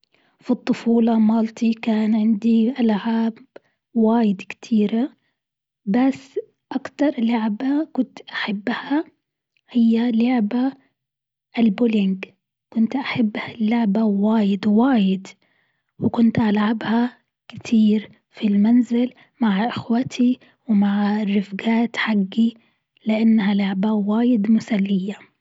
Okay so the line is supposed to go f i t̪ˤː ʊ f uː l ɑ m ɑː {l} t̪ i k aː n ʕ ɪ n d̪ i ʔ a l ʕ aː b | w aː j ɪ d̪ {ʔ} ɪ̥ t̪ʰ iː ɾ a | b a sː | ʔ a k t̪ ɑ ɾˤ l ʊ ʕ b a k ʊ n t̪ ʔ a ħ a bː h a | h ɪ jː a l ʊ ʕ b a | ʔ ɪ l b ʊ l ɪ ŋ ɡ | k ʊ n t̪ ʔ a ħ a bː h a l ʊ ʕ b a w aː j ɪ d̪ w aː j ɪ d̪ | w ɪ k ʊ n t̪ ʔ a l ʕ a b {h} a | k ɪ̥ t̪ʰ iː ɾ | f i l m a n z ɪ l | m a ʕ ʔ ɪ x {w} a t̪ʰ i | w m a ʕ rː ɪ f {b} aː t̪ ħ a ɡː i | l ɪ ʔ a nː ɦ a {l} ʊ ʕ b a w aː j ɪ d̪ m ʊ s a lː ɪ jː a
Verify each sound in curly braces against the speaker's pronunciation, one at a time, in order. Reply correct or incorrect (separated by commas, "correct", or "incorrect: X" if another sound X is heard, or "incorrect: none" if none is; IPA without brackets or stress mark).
correct, incorrect: k, correct, correct, incorrect: ɡ, correct